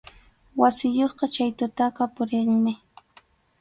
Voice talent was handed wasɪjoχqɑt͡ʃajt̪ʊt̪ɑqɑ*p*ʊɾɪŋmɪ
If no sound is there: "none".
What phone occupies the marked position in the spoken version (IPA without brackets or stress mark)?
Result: p